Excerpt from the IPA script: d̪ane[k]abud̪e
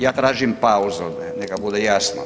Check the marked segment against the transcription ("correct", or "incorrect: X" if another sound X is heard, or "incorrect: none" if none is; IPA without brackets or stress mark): correct